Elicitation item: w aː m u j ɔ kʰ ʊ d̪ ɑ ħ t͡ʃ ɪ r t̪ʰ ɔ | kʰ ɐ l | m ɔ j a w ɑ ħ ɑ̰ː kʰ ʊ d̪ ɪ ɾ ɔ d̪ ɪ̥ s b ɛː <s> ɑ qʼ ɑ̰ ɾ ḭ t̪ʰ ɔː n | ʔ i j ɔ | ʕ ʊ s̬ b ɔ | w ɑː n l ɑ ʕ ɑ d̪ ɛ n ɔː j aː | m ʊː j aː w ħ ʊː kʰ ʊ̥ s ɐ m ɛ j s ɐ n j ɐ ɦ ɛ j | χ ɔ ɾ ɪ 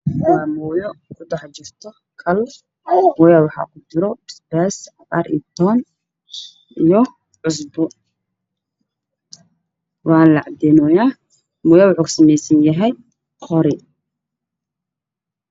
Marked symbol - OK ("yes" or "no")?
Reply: yes